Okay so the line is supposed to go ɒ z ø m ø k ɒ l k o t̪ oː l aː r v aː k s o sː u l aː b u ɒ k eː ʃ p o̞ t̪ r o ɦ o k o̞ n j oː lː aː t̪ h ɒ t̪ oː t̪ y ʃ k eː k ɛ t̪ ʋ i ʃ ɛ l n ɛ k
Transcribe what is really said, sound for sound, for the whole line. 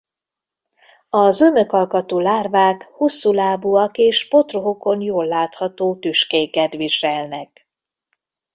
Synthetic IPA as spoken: ɒ z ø m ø k ɒ l k ɒ t̪ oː l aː r v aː k h o sː u l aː b u ɒ k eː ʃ p o̞ t̪ r o ɦ o k o̞ n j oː lː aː t̪ h ɒ t̪ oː t̪ y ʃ k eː k ɛ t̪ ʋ i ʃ ɛ l n ɛ k